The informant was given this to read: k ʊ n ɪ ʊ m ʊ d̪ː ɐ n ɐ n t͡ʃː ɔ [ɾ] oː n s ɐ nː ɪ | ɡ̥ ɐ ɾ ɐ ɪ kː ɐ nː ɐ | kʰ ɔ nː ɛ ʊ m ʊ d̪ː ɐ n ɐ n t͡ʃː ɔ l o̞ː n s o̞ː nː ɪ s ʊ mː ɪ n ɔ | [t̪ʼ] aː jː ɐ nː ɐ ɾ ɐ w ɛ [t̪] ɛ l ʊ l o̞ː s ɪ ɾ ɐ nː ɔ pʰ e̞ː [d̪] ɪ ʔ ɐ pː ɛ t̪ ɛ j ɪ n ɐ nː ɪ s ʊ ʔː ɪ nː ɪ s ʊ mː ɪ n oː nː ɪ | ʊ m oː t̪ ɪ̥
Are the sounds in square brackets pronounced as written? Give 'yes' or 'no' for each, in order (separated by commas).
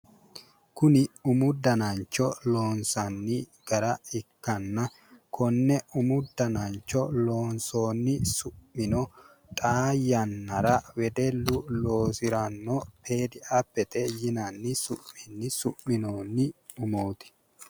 no, yes, no, yes